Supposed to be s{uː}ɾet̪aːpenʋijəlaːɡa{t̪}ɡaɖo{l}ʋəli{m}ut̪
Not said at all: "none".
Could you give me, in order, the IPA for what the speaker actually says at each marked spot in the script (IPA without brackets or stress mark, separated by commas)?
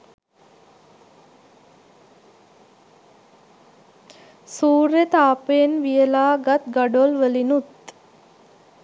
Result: uː, t̪, l, n